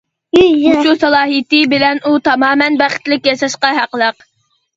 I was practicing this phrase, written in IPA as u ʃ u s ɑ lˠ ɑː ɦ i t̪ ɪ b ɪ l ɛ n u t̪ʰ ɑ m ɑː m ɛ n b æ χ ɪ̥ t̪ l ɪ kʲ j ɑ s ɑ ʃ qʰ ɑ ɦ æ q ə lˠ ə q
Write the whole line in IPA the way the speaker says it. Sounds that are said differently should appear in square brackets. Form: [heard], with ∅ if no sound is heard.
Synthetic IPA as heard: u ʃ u s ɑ lˠ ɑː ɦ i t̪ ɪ b ɪ l ɛ n u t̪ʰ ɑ m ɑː m ɛ n b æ χ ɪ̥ t̪ l ɪ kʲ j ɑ [ʃ] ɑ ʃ [q] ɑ ɦ æ q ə lˠ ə q